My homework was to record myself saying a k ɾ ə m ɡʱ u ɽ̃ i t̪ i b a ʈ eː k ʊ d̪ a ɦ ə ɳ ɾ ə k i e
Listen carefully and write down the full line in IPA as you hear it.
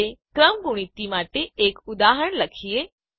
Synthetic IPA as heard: e k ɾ ə m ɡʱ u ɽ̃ i t̪ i m a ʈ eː k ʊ d̪ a ɦ ə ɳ l ə kʰ i e

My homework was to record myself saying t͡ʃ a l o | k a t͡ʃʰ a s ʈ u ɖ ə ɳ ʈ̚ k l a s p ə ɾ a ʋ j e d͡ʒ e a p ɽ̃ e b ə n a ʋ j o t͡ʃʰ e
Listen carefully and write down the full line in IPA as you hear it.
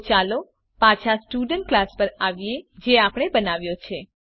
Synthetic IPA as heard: t͡ʃ a l o | p a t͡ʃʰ a s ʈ u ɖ ə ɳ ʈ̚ k l a s p ə ɾ a ʋ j e d͡ʒ e a p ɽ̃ e b ə n a ʋ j o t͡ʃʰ e

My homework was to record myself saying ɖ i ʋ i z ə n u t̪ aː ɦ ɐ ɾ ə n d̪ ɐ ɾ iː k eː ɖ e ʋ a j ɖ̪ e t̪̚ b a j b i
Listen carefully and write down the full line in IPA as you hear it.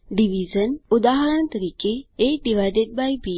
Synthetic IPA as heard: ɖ i ʋ i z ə n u d̪ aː ɦ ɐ ɾ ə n t̪ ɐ ɾ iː k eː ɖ i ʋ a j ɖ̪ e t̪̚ b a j b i

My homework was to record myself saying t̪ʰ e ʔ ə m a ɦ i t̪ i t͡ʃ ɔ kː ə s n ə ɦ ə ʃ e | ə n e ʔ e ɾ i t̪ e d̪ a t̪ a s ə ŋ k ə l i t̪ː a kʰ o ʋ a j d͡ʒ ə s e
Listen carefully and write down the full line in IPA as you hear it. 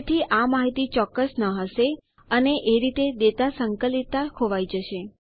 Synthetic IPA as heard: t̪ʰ i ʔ a m a ɦ i t̪ i t͡ʃ ɔ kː ə s n ə ɦ ə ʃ e | ə n e ʔ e ɾ i t̪ e d̪ e t̪ a s ə ŋ k ə l i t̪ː a kʰ o ʋ a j d͡ʒ ə ʃ e

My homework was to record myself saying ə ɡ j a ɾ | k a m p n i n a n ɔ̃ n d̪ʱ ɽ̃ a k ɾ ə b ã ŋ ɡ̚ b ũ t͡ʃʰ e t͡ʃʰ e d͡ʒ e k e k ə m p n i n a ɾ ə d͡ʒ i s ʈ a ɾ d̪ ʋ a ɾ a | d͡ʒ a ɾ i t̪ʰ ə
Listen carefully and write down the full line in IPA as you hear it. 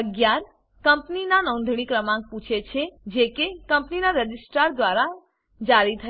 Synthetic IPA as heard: ə ɡ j a ɾ | k ə m p n i n a n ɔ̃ n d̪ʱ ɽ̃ i k ɾ ə m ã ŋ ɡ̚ p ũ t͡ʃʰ e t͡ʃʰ e d͡ʒ e k e k ə m p n i n a ɾ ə d͡ʒ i s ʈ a ɾ d̪ ʋ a ɾ a | d͡ʒ a ɾ i t̪ʰ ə

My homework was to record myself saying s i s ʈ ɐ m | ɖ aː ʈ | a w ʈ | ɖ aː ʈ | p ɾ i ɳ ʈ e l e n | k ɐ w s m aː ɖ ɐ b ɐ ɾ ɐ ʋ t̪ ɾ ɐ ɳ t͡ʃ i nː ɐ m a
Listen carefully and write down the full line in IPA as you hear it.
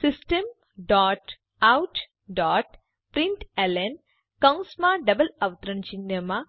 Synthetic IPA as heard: s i s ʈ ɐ m | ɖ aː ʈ | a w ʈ | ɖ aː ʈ | p ɾ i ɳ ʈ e l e n | k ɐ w s m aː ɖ ɐ b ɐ l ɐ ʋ t̪ ɾ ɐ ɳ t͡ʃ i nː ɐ m a

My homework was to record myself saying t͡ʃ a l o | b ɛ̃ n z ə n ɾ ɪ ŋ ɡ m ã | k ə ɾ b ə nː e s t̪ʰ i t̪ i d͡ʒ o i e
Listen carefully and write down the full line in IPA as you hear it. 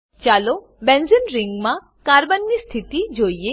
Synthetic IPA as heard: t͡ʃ a l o | b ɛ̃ n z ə n ɾ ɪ ŋ ɡ m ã | k a ɾ b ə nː i s t̪ʰ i t̪ i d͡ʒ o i e

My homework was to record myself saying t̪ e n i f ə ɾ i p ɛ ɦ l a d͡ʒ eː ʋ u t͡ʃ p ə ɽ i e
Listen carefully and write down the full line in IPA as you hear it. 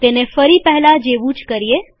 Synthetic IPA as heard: t̪ e n e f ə ɾ i p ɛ ɦ l a d͡ʒ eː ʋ u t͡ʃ k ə ɾ i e

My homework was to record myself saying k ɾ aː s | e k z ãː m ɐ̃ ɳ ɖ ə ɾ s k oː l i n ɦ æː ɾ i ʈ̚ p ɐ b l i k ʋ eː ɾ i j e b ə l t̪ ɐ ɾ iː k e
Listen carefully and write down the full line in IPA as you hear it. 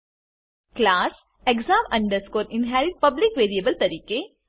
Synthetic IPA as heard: k l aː s | e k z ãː m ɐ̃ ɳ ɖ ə ɾ s k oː ɾ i n ɦ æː ɾ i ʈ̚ p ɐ b l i k ʋ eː ɾ i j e b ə l t̪ ɐ ɾ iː k e

